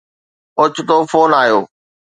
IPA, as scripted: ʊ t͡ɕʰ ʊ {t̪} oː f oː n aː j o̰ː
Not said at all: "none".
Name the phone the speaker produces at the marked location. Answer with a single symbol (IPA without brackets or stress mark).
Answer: t̪